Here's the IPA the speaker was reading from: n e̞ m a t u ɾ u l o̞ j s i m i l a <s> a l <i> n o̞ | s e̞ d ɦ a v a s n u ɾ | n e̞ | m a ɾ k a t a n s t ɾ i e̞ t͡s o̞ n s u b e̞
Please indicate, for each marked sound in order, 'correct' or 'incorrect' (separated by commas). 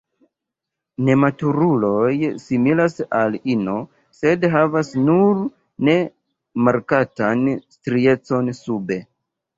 correct, correct